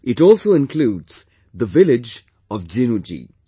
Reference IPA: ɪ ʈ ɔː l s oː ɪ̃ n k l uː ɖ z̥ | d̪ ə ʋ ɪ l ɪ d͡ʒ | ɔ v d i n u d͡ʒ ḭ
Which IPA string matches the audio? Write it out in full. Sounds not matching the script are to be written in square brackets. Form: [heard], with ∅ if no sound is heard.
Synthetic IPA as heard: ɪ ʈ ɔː l s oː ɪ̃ n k l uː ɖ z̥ | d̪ ə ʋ ɪ l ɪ d͡ʒ | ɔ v [d͡ʒ] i n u d͡ʒ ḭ